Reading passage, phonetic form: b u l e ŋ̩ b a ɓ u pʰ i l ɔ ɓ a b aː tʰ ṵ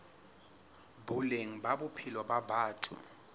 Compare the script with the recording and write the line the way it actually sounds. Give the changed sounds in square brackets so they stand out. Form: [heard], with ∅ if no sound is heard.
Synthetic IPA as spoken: b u l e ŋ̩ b a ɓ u pʰ i l ɔ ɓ a b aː tʰ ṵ

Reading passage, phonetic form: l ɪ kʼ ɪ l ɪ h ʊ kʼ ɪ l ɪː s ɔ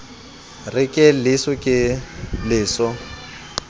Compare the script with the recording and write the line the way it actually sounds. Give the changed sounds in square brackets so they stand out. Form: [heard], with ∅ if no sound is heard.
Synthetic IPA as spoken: [r] ɪ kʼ ɪ l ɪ [s] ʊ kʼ ɪ l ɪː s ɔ

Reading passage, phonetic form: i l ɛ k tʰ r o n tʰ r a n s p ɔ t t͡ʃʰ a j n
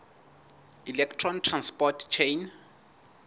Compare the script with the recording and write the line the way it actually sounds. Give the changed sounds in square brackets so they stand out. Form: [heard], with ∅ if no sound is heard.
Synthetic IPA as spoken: i l ɛ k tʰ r [ɔ] n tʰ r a n s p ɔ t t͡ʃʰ [e] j n

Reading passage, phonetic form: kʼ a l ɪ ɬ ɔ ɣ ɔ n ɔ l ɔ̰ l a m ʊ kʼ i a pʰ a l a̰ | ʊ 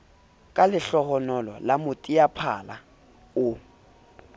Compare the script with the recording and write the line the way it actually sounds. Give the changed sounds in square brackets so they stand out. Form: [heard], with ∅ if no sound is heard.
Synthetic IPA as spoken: kʼ a l ɪ ɬ ɔ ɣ ɔ n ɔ l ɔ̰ l a m ʊ [tʼ] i a pʰ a l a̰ | ʊ

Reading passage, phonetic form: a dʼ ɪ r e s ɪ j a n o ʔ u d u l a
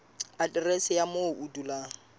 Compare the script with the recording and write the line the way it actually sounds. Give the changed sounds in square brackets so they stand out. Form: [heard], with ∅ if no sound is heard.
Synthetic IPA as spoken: a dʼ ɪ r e s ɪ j a [m] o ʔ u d u l a

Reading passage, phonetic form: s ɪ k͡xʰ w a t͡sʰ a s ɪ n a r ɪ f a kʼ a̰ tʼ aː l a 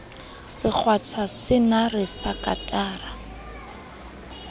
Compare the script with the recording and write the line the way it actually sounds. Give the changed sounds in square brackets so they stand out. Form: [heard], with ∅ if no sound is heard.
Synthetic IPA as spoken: s ɪ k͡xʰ w a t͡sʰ a s ɪ n a r ɪ [s] a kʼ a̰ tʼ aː [r] a

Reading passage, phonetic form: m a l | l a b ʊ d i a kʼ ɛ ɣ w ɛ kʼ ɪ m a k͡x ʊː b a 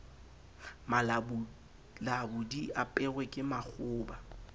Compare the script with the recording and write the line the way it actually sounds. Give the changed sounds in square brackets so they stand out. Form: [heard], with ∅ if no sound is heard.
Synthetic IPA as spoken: m a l | l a b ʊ d i a [pʼ] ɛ ɣ w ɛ kʼ ɪ m a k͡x ʊː b a

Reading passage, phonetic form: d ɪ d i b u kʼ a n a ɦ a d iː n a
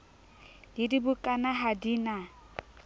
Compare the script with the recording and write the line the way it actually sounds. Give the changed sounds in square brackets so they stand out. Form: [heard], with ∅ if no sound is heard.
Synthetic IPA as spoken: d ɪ d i b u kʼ a n a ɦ a d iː n a

